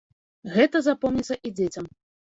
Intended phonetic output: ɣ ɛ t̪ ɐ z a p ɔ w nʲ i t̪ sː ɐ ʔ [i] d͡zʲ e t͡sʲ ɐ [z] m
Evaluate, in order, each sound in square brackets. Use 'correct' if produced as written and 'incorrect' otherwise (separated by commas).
correct, incorrect